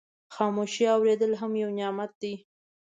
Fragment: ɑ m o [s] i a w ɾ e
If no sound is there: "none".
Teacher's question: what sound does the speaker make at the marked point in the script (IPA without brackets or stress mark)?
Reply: ʃ